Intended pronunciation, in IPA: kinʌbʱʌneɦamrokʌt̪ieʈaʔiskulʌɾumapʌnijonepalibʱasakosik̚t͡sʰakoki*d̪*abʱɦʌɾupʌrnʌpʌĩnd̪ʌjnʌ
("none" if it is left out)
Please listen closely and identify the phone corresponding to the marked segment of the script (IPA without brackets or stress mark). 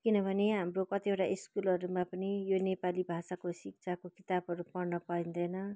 t̪